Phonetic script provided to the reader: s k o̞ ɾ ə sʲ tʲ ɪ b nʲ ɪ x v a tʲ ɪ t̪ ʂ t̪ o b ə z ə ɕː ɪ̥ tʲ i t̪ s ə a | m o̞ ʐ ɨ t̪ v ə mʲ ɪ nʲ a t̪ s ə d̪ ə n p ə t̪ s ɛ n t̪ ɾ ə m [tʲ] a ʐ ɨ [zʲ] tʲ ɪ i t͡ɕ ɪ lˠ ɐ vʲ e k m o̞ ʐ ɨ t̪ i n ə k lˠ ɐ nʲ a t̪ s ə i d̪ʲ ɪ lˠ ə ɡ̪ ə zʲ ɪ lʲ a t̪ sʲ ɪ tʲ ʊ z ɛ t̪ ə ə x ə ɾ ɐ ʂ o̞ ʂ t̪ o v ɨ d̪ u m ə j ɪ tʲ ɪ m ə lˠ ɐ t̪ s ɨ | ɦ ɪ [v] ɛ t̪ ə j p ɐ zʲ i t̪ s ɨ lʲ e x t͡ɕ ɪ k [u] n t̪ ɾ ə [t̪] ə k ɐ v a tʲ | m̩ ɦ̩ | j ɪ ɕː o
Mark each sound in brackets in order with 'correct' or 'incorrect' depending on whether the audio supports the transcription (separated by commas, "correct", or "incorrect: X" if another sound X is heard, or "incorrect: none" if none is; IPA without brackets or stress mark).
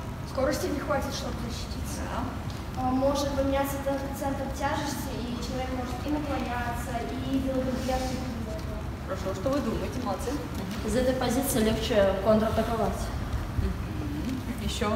correct, incorrect: sʲ, incorrect: z, incorrect: o, correct